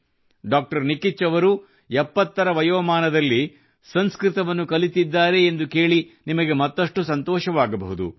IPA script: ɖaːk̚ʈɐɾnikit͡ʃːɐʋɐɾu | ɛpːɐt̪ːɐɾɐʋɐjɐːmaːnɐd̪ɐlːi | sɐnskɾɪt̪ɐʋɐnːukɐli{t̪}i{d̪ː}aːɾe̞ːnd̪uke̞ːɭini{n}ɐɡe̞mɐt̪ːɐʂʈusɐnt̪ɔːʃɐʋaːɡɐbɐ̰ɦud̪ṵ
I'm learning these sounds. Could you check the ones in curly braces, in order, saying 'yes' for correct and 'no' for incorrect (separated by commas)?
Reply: yes, yes, no